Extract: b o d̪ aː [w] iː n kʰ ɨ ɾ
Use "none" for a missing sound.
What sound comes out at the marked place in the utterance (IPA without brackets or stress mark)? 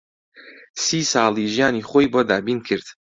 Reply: b